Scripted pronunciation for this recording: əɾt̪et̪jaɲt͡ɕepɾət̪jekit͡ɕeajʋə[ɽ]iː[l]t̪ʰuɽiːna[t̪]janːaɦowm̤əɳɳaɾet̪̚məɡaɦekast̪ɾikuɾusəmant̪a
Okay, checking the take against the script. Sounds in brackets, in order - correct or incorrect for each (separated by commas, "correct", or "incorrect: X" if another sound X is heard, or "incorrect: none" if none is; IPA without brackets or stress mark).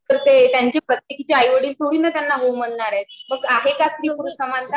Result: correct, correct, correct